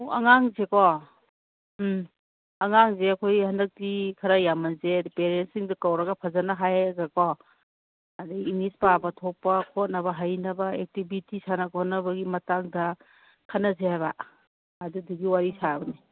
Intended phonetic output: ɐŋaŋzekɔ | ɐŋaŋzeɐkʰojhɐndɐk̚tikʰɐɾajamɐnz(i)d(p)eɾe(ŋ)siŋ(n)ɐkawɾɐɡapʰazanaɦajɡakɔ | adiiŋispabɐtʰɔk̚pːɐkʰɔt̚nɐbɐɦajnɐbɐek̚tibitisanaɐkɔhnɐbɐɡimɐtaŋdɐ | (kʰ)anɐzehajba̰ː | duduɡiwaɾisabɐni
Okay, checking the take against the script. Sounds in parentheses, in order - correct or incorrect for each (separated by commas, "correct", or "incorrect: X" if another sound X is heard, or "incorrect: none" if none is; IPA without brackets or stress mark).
incorrect: e, correct, incorrect: n, incorrect: d, correct